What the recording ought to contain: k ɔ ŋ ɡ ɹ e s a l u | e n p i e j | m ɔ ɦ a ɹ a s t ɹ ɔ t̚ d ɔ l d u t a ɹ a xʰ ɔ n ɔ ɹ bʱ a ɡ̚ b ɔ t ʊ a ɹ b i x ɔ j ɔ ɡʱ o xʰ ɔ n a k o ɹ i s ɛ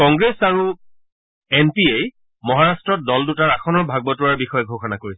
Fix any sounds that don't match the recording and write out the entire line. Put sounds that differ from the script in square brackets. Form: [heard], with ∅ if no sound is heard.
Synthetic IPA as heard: k ɔ ŋ ɡ ɹ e s a [ɹ] u | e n p i e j | m ɔ ɦ a ɹ a s t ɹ ɔ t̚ d ɔ l d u t a ɹ a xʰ ɔ n ɔ ɹ bʱ a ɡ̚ b ɔ t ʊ a ɹ b i x ɔ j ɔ ɡʱ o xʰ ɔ n a k o ɹ i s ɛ